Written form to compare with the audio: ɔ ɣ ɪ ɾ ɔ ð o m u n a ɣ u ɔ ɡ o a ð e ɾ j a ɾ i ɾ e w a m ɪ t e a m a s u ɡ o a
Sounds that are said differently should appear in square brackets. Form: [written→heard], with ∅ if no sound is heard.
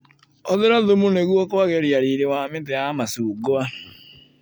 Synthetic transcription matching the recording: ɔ [ɣ→ð] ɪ ɾ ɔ ð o m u n [a→e] ɣ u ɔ [ɡ→k] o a [ð→ɣ] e ɾ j a ɾ i ɾ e w a m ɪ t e a m a s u ɡ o a